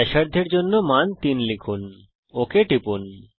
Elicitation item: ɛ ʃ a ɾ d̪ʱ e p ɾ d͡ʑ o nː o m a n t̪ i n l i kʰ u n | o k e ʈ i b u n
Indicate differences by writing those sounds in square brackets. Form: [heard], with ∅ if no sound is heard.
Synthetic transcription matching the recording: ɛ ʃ a ɾ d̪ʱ e [∅] ɾ d͡ʑ o nː o m a n t̪ i n l i kʰ u n | o k e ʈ i [p] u n